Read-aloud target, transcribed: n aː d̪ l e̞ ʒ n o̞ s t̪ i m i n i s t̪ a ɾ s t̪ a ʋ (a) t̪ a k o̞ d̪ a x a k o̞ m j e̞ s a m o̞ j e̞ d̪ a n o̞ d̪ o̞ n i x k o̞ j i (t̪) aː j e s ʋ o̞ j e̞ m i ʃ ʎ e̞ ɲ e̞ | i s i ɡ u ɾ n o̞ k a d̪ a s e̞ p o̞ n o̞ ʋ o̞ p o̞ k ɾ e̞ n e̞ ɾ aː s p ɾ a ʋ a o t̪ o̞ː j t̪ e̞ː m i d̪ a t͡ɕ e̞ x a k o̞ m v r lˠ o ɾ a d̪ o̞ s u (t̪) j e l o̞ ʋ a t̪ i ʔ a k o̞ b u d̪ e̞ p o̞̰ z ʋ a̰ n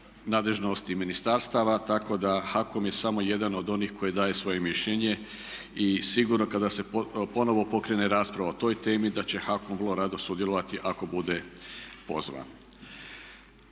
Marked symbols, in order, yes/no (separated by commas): yes, no, no